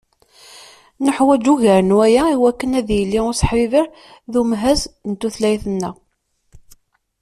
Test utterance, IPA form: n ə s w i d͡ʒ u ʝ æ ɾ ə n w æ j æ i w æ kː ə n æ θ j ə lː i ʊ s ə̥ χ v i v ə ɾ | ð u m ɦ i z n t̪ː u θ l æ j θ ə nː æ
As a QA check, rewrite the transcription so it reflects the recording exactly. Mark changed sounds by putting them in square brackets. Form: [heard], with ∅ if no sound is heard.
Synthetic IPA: n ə [ħ] w [æ] d͡ʒ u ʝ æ ɾ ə n w æ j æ i w æ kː ə n æ [ð] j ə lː i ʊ s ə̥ [ħ] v i v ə ɾ | ð u m ɦ [æ] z n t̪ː u θ l æ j θ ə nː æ